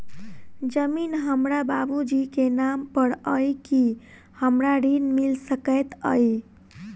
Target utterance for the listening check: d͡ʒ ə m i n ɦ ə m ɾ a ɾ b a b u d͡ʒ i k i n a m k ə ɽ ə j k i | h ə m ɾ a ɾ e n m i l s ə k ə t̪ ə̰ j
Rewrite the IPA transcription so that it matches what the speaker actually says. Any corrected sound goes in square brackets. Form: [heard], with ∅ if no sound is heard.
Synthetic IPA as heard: d͡ʒ ə m i n ɦ ə m ɾ a [∅] b a b u d͡ʒ i k [e] n a m [p] ə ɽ ə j k i | h ə m ɾ a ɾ [i] n m i l s ə k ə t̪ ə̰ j